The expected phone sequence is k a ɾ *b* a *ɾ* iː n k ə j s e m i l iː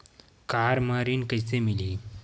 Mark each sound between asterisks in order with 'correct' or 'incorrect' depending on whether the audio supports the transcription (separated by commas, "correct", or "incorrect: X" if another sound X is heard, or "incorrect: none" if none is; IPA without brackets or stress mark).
incorrect: m, correct